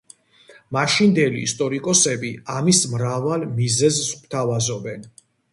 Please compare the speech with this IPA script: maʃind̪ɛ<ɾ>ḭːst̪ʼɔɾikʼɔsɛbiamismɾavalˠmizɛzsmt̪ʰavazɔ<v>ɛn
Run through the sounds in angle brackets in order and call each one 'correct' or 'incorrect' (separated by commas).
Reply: incorrect, incorrect